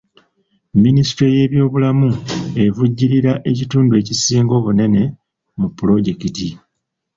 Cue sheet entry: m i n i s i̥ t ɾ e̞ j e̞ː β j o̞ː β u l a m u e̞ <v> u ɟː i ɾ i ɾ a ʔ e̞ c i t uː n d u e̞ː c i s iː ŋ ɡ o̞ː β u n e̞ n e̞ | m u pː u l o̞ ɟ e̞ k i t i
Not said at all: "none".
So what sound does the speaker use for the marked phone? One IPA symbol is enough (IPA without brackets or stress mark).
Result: v